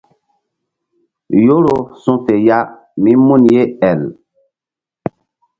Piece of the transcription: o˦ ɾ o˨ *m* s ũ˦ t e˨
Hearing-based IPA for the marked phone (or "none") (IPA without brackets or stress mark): none